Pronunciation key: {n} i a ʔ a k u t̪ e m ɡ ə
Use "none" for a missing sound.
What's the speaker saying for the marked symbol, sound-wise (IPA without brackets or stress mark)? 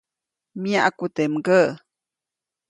m